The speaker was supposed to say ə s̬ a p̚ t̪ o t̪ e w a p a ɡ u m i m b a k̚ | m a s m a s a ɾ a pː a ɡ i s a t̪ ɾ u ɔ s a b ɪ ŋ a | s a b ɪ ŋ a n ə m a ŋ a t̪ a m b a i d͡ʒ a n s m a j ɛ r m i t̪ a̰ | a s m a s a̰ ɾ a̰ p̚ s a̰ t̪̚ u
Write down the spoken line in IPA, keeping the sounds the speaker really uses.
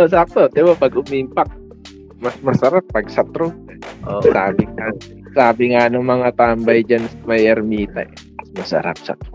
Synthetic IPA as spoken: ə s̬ a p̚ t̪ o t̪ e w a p a ɡ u m i m p a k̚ | m a s m a s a ɾ a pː a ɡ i s a t̪ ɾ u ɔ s a b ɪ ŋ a | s a b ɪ ŋ a n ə m a ŋ a t̪ a m b a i d͡ʒ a n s m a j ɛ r m i t̪ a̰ | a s m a s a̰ ɾ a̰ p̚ s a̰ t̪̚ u